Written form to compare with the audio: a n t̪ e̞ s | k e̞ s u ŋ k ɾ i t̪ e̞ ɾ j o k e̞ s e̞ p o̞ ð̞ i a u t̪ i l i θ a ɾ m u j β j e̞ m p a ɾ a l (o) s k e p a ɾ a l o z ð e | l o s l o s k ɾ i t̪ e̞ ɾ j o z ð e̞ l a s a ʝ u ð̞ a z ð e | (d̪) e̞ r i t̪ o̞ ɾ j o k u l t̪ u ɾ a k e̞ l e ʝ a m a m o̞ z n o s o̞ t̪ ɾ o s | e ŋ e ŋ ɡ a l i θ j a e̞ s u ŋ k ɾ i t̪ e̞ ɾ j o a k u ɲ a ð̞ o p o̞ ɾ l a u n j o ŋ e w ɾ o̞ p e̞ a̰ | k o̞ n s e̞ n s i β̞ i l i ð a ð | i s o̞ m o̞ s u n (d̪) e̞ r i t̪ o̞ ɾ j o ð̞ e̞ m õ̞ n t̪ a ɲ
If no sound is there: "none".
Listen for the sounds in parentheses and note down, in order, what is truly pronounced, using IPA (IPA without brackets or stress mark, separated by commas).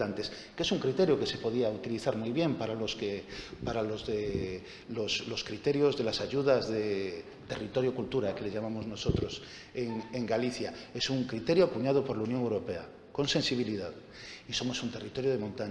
o, t̪, t̪